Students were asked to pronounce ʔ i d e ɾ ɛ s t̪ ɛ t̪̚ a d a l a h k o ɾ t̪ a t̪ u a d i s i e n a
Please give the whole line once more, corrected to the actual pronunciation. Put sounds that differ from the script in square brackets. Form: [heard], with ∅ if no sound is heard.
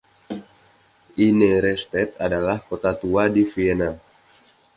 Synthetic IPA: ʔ i [n] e ɾ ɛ s t̪ ɛ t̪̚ a d a l a h k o [∅] t̪ a t̪ u a d i [f] i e n a